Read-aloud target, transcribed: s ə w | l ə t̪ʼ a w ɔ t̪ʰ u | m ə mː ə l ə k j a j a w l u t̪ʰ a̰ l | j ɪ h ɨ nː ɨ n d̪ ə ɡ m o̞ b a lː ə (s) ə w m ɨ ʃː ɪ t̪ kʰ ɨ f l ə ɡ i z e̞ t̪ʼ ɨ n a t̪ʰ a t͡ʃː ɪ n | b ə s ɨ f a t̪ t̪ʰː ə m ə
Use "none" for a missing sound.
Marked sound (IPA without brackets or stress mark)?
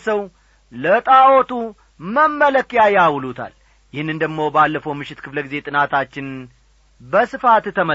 f